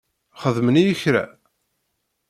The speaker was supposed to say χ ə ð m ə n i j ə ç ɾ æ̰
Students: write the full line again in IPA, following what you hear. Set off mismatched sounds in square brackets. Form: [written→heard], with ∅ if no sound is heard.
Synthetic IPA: χ ə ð m ə n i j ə ç ɾ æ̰